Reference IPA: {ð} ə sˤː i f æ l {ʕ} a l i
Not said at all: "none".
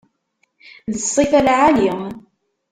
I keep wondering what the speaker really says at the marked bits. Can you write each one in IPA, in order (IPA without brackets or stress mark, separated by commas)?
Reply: ð, ʕ